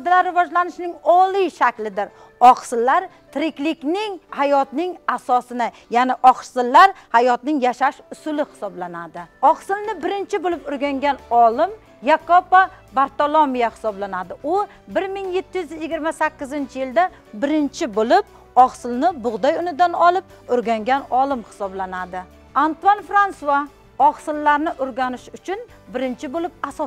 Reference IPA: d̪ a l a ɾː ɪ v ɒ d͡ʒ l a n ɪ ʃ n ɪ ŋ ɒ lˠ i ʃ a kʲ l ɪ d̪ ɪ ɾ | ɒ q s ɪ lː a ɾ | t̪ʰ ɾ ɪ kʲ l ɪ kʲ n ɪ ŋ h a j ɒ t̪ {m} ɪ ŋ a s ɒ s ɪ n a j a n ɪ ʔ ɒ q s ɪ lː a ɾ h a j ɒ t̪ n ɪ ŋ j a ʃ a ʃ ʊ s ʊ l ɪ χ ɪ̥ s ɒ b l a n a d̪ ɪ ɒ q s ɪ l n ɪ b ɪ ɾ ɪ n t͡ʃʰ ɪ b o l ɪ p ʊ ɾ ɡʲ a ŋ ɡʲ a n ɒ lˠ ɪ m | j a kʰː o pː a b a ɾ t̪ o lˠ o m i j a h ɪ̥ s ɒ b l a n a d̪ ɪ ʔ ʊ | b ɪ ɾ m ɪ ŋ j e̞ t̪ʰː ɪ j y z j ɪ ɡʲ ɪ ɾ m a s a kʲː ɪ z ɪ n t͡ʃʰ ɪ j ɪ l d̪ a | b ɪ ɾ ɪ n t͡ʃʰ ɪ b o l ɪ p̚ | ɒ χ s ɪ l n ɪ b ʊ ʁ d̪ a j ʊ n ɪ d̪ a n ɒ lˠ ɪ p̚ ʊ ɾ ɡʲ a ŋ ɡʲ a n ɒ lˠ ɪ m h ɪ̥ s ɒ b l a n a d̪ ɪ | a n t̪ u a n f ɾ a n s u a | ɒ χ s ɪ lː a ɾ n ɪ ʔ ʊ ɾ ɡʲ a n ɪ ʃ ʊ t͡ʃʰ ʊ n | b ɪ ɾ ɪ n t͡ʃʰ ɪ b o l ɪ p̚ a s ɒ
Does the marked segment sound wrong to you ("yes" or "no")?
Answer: yes